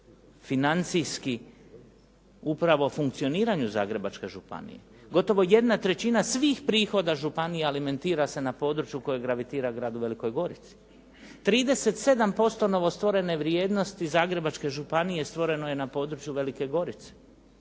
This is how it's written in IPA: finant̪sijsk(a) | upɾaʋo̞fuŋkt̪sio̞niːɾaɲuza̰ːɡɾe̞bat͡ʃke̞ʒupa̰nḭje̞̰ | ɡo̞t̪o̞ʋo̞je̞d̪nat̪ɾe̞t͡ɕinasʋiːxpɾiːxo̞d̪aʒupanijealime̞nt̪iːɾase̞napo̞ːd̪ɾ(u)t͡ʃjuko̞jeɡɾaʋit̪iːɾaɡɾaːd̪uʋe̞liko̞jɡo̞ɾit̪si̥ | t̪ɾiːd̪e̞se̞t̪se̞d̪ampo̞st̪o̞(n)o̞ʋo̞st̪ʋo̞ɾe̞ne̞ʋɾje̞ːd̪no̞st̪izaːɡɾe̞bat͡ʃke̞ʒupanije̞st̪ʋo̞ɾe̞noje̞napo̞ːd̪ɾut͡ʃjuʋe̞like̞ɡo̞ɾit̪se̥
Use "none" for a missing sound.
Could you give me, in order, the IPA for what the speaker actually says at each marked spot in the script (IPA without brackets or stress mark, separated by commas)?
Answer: i, u, n